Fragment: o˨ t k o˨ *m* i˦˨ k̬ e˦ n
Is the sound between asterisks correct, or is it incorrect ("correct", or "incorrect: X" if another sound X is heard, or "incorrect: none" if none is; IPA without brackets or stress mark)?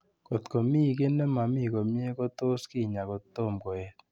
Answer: correct